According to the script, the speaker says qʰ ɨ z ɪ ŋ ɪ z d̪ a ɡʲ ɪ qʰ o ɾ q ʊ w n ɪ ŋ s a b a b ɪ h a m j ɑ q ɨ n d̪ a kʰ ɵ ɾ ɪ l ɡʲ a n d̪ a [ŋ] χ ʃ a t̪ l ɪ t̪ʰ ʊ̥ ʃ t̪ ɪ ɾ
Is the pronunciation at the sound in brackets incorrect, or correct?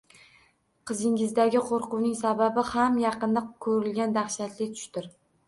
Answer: incorrect